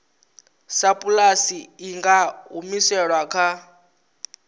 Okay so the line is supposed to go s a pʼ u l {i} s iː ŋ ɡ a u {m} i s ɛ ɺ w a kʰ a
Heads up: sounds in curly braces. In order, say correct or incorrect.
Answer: incorrect: a, correct

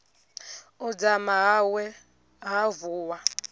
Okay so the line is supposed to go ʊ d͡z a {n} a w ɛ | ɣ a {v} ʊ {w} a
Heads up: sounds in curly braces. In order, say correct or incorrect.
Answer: incorrect: m, correct, correct

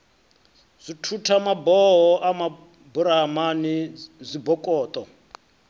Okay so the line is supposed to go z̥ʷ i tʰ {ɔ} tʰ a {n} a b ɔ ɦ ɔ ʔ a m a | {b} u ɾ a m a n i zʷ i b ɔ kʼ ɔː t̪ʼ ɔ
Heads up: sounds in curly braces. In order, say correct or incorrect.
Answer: incorrect: u, incorrect: m, correct

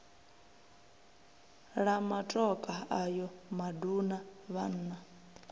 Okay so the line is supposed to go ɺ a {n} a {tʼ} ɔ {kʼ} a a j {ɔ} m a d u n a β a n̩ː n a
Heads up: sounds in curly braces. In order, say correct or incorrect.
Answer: incorrect: m, correct, correct, correct

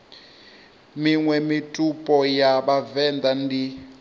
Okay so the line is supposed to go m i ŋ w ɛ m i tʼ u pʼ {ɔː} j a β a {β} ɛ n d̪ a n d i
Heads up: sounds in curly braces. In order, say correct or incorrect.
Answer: incorrect: ɔ, incorrect: v

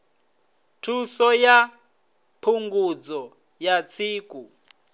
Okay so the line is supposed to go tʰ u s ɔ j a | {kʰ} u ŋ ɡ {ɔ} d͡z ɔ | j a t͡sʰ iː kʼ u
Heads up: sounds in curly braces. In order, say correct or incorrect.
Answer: incorrect: pʰ, incorrect: u

